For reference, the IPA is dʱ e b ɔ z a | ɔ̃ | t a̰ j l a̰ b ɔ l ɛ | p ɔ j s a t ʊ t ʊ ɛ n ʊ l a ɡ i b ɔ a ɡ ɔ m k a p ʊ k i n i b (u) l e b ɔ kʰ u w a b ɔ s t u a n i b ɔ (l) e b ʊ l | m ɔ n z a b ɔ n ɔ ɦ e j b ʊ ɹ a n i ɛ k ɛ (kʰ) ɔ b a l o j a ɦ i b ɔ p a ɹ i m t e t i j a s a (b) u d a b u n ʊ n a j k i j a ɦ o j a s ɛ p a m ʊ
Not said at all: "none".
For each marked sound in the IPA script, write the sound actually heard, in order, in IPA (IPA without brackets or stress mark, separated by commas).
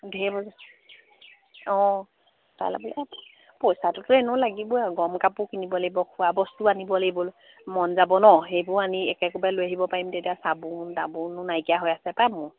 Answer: ɔ, l, k, b